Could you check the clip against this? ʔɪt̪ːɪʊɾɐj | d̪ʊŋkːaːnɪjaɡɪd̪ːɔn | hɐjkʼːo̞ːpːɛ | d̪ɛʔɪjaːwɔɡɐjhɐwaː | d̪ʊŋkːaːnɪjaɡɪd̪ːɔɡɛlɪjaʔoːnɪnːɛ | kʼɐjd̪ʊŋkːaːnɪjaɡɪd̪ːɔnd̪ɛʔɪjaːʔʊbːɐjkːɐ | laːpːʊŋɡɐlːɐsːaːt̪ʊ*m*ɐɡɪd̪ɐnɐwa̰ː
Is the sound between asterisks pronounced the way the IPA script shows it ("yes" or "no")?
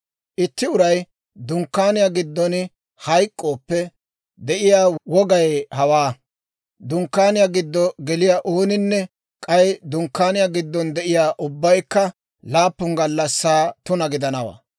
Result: no